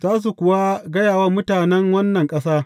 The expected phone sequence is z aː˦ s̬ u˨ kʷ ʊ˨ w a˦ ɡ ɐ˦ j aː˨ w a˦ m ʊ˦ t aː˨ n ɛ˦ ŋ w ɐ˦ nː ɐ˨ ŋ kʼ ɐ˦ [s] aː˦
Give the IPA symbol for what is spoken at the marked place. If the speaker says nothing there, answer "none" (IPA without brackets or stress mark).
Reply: s